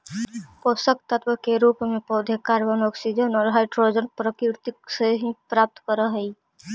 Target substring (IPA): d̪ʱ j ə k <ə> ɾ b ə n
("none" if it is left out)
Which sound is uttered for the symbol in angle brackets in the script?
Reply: a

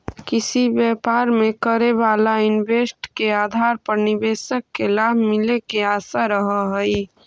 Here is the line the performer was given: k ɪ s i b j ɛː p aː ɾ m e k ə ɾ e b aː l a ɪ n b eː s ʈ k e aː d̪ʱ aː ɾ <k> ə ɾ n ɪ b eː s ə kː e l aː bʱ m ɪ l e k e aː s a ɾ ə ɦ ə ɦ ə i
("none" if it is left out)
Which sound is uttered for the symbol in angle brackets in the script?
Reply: p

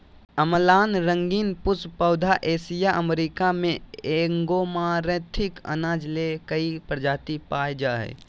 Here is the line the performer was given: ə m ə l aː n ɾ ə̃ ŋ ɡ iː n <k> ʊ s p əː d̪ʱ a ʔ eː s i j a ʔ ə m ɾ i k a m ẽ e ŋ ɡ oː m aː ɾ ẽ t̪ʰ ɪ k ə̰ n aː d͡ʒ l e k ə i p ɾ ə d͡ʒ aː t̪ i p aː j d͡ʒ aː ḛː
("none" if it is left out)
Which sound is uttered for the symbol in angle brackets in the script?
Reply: p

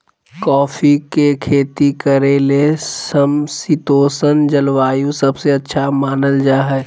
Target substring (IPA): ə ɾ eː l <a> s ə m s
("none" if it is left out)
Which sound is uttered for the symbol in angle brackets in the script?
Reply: e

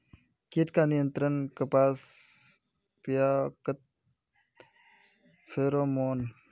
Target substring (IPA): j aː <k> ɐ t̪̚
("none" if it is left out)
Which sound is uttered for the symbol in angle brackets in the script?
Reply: k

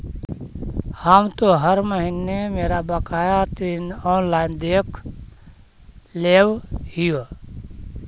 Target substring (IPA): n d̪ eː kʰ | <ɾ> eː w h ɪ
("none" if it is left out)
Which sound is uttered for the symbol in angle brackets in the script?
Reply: l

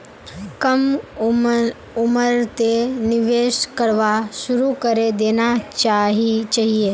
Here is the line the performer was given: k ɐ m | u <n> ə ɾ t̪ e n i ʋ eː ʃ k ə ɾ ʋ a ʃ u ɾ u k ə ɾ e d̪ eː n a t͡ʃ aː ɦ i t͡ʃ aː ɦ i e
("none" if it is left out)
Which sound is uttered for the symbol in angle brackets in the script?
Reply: m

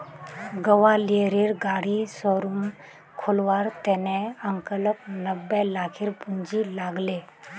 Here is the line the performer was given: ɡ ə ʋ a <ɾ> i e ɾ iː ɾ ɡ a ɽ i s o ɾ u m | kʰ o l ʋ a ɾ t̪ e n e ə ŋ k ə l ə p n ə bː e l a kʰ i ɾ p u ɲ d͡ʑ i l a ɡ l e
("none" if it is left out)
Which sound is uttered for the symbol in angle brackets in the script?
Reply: l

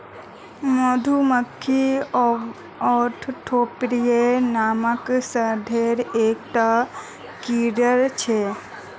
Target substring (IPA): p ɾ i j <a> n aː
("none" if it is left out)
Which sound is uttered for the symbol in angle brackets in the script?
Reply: e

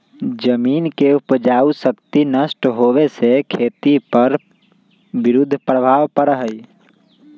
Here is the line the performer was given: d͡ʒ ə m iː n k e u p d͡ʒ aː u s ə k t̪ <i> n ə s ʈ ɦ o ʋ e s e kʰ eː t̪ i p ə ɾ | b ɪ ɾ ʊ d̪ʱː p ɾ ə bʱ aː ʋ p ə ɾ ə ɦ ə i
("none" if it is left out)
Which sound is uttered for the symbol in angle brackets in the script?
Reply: i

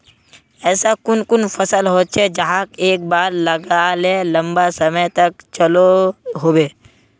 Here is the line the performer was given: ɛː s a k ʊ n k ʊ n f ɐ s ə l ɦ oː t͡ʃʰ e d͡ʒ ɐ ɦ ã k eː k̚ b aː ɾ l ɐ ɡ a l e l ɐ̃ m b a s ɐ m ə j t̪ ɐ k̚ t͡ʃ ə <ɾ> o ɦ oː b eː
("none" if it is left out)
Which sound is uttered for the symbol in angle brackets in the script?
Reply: l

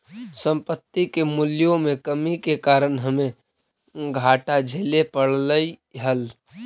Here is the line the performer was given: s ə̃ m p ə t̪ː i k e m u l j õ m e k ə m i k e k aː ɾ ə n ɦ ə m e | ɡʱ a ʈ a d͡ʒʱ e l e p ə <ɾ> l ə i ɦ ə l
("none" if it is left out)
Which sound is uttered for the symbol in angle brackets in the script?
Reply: ɽ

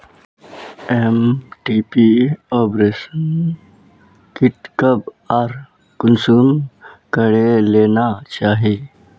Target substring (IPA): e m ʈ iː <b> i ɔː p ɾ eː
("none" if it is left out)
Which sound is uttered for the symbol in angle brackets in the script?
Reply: p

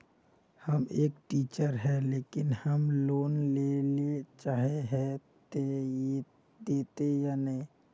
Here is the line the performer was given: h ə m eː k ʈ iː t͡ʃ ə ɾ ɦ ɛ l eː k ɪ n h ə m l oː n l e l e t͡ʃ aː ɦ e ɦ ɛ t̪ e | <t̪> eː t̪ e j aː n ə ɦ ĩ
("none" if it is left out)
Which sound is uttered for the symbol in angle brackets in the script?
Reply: d̪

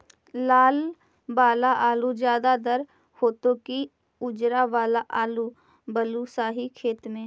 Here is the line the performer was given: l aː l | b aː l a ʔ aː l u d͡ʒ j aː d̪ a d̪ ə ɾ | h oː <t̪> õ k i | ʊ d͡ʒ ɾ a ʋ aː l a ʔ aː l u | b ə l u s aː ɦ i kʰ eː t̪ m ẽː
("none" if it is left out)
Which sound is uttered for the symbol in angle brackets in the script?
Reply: t̪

